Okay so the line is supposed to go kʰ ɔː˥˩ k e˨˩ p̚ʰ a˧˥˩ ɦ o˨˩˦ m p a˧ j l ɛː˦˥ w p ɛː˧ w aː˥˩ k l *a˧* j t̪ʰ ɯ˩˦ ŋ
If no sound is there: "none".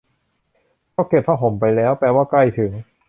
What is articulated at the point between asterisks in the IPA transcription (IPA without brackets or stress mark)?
a˥˩